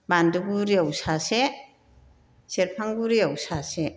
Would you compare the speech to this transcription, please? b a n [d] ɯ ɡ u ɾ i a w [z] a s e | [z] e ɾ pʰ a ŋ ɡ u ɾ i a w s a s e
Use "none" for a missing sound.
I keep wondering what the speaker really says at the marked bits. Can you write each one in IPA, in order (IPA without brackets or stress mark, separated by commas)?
d, s, s